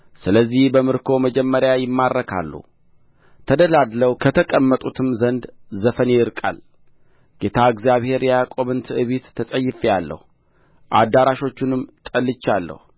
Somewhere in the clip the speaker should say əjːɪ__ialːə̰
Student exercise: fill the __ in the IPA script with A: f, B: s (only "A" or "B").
A